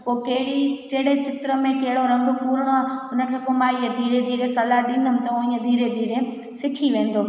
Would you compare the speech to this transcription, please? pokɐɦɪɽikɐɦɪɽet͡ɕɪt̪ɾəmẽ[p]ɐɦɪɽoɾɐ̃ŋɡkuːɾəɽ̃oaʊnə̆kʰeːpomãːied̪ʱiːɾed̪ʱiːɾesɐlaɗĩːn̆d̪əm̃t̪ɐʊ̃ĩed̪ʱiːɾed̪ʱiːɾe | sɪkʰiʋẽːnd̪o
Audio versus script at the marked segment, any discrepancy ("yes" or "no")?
yes